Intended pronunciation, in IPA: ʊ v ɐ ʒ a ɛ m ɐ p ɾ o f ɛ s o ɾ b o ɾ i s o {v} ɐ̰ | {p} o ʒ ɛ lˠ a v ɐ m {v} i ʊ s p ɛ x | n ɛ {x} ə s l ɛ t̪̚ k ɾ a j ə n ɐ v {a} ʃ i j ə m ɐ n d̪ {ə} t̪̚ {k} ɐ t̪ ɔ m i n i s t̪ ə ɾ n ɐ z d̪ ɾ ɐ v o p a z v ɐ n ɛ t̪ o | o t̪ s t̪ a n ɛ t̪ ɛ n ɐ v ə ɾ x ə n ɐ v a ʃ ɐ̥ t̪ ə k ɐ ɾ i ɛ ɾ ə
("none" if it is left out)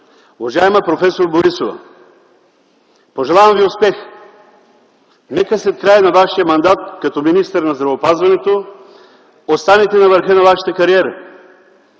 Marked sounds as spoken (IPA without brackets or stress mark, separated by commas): v, p, v, k, a, a, k